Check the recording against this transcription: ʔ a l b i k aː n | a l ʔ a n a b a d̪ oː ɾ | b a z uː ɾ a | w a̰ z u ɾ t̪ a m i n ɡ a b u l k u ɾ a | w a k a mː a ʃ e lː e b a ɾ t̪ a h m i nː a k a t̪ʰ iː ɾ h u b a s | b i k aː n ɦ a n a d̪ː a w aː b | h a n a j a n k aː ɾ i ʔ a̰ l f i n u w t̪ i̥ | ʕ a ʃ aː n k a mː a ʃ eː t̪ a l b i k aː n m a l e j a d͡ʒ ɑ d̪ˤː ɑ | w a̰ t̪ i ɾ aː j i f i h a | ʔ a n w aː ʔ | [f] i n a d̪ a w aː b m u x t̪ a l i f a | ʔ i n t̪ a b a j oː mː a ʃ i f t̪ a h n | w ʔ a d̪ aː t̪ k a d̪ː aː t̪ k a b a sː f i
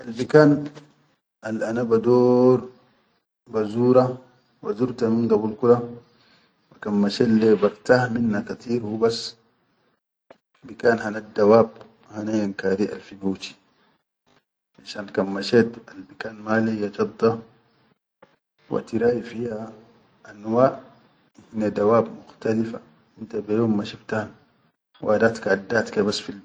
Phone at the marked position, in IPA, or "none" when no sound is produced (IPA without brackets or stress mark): h